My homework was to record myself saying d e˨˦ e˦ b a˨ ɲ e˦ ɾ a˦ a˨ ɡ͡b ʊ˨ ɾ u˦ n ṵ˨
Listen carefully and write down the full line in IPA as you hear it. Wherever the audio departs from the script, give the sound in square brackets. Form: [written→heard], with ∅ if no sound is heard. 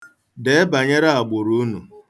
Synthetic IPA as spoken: d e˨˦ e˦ b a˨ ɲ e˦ ɾ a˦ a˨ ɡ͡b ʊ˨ ɾ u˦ n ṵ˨